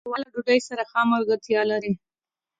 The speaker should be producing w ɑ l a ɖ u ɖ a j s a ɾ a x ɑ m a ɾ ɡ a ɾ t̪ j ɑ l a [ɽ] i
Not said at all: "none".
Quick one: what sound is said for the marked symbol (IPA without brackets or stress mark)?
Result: ɾ